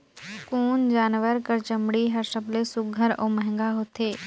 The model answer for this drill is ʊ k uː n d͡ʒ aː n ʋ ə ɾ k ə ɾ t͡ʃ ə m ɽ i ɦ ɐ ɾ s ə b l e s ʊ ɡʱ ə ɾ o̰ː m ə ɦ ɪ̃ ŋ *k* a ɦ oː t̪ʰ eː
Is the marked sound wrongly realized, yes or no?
yes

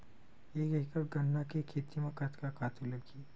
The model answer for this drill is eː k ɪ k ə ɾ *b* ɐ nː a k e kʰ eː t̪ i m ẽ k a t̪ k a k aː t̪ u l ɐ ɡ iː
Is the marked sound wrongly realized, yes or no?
yes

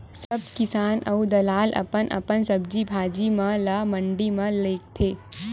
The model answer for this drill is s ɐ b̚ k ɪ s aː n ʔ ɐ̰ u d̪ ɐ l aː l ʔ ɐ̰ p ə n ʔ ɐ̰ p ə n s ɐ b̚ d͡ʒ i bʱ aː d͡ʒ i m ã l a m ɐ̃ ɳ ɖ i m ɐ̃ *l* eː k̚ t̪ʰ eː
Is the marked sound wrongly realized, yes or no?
no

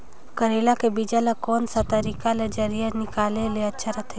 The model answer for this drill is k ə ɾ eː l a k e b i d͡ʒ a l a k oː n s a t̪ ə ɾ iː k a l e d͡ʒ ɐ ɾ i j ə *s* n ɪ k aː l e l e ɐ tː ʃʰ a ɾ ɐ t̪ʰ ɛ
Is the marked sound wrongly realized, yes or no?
yes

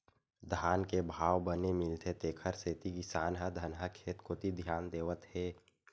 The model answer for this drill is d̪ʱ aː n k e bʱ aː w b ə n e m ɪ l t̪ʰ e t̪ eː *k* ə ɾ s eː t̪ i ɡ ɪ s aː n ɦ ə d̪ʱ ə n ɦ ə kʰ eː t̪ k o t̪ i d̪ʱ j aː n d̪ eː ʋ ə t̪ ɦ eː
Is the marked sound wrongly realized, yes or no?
yes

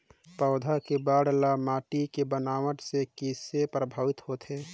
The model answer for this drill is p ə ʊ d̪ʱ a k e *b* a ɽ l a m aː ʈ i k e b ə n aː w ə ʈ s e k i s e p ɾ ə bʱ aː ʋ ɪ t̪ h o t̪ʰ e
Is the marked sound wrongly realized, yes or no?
no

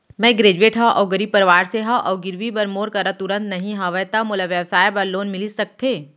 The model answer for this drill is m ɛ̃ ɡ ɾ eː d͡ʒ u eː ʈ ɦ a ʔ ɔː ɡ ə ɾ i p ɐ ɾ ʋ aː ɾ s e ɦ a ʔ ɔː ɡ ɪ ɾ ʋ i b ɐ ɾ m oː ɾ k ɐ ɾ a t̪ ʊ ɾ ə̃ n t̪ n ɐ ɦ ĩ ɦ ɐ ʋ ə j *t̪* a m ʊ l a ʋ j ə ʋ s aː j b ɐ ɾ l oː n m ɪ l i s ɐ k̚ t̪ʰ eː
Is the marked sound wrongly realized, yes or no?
no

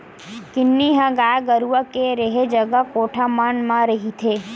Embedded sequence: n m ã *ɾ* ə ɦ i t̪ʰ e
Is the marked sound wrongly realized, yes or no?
no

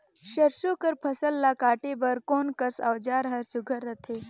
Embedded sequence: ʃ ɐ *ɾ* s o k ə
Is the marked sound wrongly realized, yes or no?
no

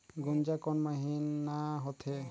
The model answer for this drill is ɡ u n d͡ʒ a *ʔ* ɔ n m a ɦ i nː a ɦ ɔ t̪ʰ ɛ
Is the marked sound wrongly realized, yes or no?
yes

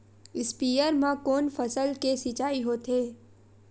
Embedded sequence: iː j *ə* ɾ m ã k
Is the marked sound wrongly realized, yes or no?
no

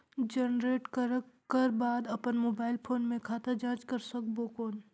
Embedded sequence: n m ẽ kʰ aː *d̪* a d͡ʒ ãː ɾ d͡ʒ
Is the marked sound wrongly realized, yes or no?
yes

